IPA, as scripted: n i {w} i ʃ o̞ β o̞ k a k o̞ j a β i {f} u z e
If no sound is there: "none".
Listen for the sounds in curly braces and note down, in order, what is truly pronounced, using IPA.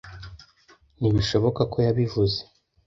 β, v

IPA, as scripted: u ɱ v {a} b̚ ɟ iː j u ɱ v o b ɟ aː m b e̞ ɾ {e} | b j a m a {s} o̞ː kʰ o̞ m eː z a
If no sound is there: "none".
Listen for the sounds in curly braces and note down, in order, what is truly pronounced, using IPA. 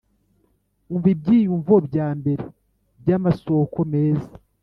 i, e, s

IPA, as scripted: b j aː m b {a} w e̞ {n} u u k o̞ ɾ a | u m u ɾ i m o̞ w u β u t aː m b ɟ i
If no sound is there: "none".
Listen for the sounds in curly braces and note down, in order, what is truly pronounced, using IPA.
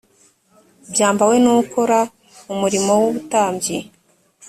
a, n

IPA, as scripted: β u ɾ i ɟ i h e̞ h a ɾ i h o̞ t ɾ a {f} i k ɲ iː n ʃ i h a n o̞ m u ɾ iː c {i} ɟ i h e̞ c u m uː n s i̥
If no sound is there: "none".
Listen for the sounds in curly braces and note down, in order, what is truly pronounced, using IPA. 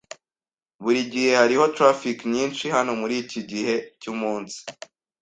f, i

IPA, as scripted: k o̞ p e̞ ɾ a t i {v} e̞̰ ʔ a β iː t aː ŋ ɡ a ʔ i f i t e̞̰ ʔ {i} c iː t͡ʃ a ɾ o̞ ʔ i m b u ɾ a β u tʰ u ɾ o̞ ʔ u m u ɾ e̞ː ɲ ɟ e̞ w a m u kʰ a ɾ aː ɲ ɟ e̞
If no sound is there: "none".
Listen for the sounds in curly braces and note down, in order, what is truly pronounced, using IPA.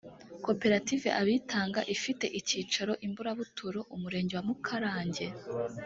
v, i

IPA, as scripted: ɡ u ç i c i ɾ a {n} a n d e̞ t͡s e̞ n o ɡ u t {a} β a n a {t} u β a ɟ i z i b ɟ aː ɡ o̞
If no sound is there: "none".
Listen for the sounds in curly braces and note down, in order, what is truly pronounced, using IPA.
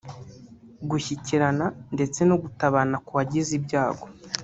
n, a, k

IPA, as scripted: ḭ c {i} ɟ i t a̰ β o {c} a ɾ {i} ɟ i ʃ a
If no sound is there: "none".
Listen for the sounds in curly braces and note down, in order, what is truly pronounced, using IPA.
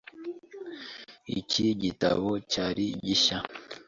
i, c, i

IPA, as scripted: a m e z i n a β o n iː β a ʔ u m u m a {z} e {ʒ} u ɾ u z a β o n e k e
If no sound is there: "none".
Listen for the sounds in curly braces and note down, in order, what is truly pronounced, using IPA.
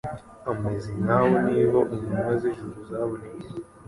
z, ʒ

